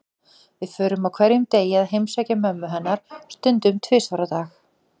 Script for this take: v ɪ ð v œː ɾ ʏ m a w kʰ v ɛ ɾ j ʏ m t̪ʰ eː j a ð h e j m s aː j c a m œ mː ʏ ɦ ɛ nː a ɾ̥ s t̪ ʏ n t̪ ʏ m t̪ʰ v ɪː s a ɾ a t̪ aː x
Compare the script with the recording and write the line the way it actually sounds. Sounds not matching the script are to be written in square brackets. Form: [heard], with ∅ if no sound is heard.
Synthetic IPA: v ɪ ð [f] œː ɾ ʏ m a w kʰ v ɛ ɾ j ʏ m [t̪] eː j a ð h e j m s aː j c a m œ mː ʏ ɦ ɛ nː a ɾ̥ s t̪ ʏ n t̪ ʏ m t̪ʰ v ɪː s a ɾ a t̪ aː x